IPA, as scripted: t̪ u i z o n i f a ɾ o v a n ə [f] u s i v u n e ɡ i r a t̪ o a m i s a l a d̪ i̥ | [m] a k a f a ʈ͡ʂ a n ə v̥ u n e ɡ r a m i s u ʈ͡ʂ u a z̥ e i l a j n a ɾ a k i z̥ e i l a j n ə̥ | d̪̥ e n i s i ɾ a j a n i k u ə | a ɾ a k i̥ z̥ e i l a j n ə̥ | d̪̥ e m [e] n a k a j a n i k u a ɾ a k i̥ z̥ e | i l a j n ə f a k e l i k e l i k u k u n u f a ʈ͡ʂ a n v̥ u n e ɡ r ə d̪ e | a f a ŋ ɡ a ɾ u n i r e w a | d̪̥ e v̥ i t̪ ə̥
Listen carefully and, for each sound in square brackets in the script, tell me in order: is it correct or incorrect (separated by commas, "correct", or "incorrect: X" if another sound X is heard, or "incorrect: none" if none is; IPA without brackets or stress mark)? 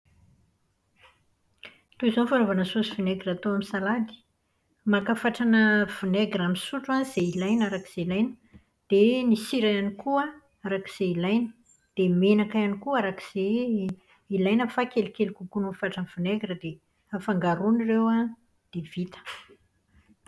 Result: incorrect: s, correct, correct